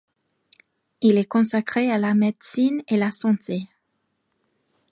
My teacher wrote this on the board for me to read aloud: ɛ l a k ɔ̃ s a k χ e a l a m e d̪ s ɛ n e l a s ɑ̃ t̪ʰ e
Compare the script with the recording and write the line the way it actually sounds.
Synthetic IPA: i l ɛ k ɔ̃ s a k χ e a l a m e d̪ s i n e l a s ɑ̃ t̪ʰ e